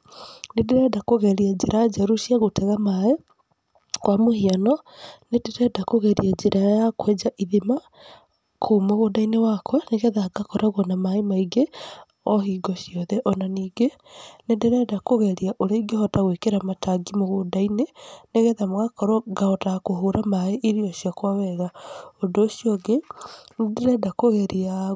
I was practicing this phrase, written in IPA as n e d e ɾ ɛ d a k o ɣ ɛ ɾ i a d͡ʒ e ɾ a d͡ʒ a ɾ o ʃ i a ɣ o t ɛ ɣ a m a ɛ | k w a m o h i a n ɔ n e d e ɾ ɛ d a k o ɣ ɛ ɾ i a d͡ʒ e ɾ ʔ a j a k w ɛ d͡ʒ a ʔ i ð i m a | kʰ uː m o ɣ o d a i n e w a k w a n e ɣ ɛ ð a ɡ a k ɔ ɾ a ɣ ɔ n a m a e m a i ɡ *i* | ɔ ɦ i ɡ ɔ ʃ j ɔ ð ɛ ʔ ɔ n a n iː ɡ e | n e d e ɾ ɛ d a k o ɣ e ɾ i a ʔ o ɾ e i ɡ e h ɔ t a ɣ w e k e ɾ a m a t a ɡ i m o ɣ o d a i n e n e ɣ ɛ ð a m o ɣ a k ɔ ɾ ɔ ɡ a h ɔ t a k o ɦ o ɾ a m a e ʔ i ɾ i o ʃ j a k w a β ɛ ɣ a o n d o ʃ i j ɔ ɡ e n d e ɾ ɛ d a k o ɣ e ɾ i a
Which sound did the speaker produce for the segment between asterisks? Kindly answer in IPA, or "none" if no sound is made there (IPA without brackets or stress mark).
e